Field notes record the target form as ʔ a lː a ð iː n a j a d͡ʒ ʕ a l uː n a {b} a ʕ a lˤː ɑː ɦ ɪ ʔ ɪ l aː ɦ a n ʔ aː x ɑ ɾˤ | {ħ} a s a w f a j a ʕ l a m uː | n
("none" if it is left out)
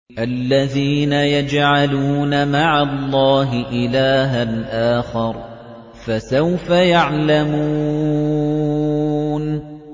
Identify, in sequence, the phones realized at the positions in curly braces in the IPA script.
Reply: m, f

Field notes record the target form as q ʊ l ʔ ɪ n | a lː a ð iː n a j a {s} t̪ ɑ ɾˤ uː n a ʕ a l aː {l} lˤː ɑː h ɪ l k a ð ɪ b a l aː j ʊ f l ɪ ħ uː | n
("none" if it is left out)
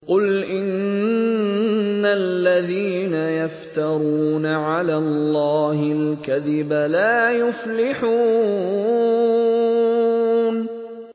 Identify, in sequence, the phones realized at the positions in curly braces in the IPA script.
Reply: f, l

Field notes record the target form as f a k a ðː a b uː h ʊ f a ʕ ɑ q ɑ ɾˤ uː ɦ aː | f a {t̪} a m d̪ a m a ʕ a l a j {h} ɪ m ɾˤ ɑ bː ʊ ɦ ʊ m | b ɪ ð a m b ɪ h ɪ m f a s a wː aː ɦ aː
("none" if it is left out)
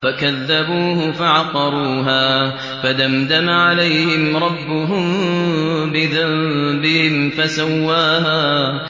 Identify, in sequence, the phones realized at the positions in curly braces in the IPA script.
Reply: d̪, h

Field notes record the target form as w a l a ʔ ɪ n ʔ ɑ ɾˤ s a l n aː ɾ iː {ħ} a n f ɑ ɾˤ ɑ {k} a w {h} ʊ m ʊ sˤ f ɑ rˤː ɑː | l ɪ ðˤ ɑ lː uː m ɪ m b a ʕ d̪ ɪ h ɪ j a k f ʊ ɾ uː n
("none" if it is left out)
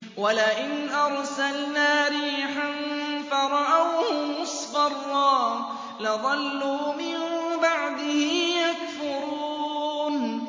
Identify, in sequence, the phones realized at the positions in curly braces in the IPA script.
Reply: ħ, ʔ, h

